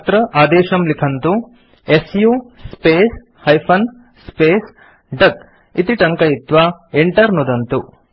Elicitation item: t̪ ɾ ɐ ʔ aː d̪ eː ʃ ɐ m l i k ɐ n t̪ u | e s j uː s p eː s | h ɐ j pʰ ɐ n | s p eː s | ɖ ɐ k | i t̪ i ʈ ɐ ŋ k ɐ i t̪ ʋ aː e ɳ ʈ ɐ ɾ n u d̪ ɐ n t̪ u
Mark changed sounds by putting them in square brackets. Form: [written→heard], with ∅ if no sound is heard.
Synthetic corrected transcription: t̪ ɾ ɐ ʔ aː d̪ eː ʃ ɐ m l i [k→kʰ] ɐ n t̪ u | e s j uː s p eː s | h ɐ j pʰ ɐ n | s p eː s | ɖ ɐ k | i t̪ i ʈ ɐ ŋ k ɐ i t̪ ʋ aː e ɳ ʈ ɐ ɾ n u d̪ ɐ n t̪ u